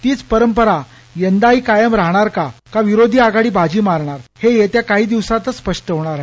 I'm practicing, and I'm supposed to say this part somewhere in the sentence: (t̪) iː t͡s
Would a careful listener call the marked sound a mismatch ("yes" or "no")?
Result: no